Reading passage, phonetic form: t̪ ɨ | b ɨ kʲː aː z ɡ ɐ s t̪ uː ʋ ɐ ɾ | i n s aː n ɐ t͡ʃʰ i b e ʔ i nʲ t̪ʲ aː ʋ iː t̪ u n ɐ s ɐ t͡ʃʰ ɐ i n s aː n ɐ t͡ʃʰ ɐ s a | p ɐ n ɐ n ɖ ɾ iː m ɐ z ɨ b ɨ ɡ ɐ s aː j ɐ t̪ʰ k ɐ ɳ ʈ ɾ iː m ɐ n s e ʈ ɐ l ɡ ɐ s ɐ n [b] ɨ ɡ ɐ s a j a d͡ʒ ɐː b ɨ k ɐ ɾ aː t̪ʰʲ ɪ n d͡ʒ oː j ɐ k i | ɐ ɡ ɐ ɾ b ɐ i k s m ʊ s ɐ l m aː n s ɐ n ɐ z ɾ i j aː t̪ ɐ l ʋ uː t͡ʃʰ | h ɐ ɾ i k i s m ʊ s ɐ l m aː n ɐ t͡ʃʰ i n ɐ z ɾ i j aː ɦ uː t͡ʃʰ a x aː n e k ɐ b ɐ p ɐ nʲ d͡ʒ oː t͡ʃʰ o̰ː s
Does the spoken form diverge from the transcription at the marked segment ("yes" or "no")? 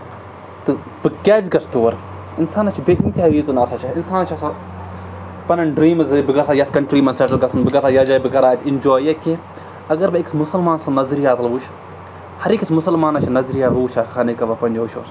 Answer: no